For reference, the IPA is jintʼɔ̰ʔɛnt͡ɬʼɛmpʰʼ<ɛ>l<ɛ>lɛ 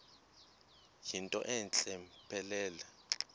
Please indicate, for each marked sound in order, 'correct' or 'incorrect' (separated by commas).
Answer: correct, incorrect